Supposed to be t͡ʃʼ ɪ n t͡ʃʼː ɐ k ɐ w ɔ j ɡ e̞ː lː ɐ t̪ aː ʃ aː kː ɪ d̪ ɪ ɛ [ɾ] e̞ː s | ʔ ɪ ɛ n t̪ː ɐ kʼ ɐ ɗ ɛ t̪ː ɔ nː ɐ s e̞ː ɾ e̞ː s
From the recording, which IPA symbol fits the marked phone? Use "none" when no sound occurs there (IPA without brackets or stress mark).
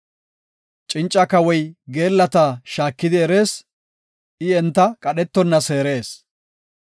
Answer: ɾ